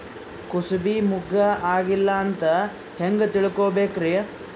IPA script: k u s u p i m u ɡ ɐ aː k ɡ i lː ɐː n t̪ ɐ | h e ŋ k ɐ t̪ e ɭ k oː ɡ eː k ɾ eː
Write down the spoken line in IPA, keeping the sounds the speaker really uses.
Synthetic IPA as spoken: k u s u b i m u ɡ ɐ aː ɡ i lː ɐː n t̪ ɐ | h e ŋ ɡ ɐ t̪ i ɭ k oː b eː k ɾ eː